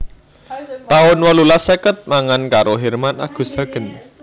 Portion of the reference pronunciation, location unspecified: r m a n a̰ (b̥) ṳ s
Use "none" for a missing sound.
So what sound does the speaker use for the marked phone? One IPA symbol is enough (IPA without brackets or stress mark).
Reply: ɡ̥